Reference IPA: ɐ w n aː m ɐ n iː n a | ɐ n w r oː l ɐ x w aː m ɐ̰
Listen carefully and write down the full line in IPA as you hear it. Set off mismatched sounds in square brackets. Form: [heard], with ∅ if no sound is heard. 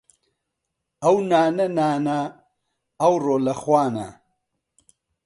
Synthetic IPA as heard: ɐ w n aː [n] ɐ n [aː] n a | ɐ [∅] w r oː l ɐ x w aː [n] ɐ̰

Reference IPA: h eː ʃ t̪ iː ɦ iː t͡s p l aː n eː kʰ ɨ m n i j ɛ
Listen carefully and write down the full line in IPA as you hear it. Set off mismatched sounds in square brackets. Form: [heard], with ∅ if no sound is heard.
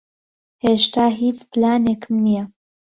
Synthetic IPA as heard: h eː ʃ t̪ [aː] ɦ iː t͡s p l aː n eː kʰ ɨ m n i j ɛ

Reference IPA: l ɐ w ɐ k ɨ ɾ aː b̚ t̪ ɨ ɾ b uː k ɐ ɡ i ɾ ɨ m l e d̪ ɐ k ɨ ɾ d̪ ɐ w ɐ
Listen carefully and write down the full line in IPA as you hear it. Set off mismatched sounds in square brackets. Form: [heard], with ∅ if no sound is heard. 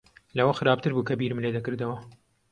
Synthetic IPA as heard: l ɐ w ɐ [x] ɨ ɾ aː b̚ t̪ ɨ ɾ b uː k ɐ [b] i ɾ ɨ m l e d̪ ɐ k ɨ ɾ d̪ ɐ w ɐ

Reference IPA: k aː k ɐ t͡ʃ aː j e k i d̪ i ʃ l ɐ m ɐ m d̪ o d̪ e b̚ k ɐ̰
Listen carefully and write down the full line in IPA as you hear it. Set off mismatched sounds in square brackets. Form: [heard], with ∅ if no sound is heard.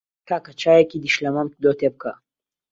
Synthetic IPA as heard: k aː k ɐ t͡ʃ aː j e k i d̪ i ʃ l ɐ m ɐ m d̪ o [t̪] e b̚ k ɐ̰

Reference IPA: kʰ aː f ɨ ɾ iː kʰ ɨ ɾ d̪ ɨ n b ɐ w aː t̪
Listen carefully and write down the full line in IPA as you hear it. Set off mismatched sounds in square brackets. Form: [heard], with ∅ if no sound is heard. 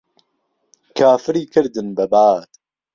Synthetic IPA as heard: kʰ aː f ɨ ɾ iː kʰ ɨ ɾ d̪ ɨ n b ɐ [b] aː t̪

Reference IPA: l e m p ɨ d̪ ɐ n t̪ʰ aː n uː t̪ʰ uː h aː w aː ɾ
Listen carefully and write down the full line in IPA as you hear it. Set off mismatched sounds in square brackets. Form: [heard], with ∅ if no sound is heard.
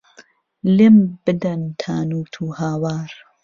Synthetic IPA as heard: l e m [b] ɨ d̪ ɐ n t̪ʰ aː n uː t̪ʰ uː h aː w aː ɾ

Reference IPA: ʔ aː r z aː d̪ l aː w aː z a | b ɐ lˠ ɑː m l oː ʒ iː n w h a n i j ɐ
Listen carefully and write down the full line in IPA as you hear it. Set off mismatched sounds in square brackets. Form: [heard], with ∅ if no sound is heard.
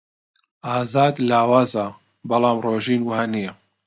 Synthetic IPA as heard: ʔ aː [∅] z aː d̪ l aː w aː z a | b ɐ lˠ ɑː m [r] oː ʒ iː n w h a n i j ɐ

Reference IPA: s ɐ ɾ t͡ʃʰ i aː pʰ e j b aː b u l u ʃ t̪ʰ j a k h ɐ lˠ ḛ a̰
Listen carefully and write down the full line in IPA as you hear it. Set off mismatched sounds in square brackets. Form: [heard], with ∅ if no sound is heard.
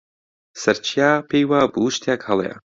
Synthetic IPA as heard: s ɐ ɾ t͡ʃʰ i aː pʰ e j [w] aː b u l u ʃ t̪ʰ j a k h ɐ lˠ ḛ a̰

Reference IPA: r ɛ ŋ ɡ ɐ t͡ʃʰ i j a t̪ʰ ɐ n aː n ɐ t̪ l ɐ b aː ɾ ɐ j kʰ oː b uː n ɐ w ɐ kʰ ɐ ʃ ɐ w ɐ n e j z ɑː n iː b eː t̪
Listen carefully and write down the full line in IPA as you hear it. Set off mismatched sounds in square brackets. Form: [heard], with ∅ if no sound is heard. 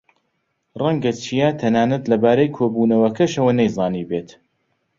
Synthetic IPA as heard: r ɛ ŋ ɡ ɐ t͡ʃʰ i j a t̪ʰ ɐ n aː n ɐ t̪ l ɐ b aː ɾ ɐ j kʰ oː b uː n ɐ w ɐ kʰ ɐ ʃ ɐ w ɐ n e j z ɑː n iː b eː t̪

